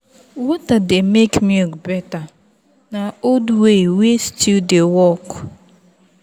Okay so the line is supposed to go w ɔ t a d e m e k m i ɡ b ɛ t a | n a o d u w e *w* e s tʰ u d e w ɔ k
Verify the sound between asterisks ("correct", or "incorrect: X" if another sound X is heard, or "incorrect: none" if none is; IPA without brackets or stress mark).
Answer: correct